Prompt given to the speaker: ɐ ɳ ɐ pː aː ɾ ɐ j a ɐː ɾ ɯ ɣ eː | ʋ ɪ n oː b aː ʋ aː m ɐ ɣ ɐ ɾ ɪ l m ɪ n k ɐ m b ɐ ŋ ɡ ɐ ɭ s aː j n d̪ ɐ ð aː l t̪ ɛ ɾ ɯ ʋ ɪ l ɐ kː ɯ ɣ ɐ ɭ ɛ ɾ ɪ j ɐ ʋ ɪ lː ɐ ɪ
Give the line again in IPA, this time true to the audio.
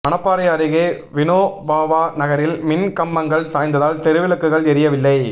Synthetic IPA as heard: ɐ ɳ ɐ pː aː ɾ ɐ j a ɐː ɾ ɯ ɣ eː | ʋ ɪ n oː b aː ʋ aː n ɐ ɣ ɐ ɾ ɪ l m ɪ n k ɐ m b ɐ ŋ ɡ ɐ ɭ s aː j n d̪ ɐ ð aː l t̪ ɛ ɾ ɯ ʋ ɪ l ɐ kː ɯ ɣ ɐ ɭ ɛ ɾ ɪ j ɐ ʋ ɪ lː ɐ ɪ